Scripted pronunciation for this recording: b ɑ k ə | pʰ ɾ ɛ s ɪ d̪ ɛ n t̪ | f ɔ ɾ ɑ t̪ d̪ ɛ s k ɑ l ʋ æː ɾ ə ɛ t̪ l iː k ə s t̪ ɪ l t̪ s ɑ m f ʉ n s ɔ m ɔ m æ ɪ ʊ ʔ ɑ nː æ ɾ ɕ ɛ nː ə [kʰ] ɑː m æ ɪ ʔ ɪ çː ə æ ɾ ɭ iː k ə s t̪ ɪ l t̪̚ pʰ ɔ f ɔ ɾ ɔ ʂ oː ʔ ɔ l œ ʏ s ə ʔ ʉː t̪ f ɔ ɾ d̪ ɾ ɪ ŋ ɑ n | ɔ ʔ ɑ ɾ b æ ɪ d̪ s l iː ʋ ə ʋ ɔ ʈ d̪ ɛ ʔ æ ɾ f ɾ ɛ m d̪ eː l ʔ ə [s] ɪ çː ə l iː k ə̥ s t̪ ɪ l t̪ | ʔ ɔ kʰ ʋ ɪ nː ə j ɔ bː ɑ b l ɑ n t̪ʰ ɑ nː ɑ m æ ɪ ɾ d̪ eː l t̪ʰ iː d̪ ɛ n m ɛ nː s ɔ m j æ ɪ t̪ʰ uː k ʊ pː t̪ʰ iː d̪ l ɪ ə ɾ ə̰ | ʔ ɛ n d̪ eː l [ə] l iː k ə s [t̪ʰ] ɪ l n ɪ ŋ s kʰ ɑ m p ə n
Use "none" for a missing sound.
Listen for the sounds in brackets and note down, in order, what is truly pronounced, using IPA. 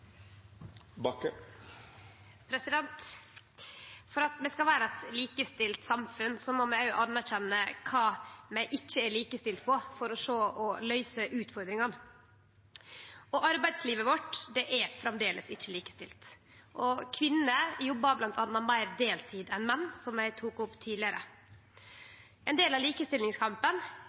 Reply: kʰ, s, ɑ, t̪

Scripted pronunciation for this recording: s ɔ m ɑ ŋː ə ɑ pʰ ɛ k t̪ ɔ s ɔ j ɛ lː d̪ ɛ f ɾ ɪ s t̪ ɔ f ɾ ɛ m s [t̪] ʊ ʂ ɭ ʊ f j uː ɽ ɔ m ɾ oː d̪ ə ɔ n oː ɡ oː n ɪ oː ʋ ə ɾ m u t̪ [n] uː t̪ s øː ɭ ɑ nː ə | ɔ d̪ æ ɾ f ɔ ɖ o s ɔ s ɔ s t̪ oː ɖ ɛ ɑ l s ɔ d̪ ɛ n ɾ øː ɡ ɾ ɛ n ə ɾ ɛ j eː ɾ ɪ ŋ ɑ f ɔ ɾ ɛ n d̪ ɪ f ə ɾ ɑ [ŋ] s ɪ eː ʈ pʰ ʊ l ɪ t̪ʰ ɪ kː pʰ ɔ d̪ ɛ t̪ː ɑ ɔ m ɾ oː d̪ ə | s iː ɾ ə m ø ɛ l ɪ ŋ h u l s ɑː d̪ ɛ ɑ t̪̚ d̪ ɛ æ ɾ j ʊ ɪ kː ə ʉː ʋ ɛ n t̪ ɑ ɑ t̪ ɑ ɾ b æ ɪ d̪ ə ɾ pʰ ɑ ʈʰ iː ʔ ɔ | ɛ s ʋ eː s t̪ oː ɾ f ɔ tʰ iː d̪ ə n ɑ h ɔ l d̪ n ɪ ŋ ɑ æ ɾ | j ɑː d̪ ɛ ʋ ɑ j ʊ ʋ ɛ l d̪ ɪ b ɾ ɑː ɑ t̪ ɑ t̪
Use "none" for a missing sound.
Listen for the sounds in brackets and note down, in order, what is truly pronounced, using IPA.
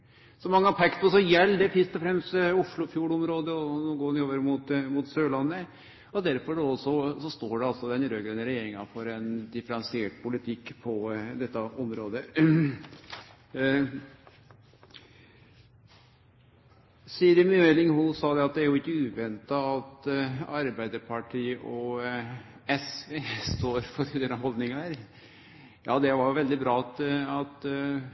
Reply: t̪, m, n

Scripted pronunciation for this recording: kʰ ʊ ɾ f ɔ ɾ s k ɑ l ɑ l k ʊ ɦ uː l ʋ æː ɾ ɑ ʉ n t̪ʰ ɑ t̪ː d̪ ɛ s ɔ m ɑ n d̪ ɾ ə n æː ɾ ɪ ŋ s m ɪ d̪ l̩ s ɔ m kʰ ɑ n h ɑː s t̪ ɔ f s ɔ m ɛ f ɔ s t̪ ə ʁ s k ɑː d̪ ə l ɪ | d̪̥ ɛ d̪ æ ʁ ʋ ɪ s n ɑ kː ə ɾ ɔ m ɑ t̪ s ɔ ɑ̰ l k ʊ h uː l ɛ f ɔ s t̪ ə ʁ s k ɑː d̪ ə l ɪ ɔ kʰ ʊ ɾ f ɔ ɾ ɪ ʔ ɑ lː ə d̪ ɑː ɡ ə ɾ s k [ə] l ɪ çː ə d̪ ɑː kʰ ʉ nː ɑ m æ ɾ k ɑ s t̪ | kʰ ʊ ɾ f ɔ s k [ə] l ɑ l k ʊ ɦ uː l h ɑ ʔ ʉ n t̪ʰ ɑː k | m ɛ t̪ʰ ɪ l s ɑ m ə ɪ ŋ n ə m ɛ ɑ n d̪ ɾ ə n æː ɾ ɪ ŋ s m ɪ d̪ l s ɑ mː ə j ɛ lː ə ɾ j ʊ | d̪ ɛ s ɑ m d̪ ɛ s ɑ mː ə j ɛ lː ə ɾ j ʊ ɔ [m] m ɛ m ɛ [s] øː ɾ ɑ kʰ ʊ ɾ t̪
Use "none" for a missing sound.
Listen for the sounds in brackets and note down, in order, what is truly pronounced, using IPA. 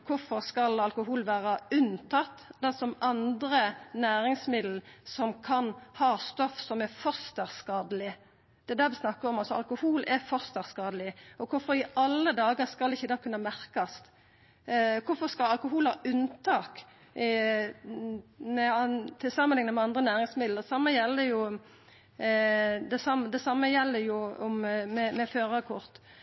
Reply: ɑ, ɑ, m, f

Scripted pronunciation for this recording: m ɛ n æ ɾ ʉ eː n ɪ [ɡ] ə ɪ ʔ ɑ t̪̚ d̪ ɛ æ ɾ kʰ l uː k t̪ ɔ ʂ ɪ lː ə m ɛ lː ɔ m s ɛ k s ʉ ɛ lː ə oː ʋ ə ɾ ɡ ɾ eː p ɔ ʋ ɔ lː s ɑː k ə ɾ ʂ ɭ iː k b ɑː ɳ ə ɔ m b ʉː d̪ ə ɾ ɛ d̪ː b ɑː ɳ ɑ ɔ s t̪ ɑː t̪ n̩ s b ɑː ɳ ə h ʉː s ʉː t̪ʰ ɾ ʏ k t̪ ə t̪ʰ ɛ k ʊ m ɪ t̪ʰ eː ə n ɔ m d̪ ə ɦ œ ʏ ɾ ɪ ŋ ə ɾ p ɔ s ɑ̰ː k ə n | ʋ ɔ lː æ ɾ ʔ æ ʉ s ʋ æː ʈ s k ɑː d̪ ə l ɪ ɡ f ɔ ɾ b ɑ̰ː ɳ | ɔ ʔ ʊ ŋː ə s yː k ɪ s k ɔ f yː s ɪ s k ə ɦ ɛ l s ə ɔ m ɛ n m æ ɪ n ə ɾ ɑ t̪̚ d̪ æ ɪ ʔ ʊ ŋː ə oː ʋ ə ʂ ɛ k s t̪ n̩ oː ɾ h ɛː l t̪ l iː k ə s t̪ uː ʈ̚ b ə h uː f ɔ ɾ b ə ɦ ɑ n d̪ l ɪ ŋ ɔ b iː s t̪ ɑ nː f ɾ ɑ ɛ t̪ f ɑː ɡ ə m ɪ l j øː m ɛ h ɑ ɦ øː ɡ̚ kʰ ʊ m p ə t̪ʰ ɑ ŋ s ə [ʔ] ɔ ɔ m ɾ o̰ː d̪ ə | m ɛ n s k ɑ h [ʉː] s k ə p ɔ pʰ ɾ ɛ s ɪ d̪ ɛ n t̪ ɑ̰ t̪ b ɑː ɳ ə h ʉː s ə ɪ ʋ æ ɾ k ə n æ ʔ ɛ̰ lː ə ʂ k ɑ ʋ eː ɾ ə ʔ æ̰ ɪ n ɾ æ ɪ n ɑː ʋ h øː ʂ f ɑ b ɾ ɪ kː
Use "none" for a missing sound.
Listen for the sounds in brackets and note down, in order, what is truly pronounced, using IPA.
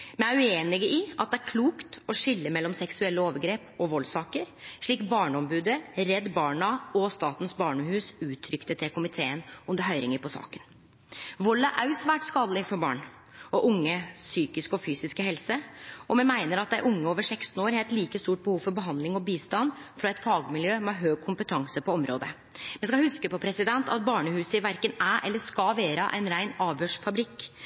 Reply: ɡ, p, ʉ

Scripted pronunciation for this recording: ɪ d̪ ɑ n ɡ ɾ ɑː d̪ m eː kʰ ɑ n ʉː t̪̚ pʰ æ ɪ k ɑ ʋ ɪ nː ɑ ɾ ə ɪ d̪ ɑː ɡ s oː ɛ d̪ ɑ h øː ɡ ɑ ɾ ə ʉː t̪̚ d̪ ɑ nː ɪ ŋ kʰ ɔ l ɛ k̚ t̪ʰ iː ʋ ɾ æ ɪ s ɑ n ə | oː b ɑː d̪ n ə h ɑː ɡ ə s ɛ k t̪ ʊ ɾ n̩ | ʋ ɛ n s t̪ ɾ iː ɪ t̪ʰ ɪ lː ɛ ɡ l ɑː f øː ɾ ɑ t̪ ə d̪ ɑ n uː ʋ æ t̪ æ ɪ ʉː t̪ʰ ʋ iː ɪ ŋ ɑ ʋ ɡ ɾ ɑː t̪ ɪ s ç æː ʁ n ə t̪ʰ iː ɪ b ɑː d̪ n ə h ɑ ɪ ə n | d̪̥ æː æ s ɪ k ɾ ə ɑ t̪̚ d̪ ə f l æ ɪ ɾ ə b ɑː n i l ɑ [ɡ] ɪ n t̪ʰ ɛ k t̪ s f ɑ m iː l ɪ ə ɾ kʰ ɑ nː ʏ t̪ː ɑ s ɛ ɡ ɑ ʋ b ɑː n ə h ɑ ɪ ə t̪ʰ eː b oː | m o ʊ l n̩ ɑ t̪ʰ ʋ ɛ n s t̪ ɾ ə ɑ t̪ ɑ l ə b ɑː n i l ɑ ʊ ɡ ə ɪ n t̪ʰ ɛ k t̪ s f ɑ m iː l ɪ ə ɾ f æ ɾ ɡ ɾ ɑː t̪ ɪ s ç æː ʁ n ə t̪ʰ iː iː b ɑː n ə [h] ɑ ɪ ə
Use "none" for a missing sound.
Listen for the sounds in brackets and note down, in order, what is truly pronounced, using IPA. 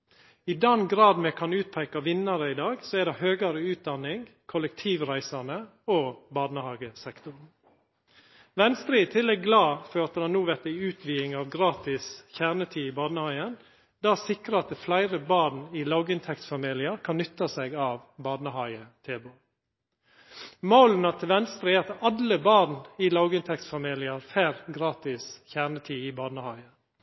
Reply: ɡ, h

